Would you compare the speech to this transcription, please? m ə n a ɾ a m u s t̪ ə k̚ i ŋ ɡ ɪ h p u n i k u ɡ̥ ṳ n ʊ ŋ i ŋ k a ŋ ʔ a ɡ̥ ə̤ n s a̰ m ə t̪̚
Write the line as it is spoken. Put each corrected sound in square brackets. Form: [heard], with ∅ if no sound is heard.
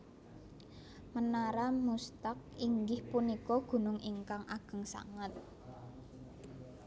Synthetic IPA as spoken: m ə n a ɾ a m u s t̪ [a] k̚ i ŋ ɡ ɪ h p u n i k [ɔ] ɡ̥ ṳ n ʊ ŋ i ŋ k a ŋ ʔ a ɡ̥ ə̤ [ŋ] s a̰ [ŋ] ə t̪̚